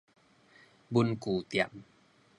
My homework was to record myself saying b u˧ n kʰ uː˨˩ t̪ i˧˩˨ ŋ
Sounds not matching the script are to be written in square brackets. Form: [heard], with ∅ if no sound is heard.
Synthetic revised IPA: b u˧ n [k] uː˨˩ t̪ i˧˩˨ [m]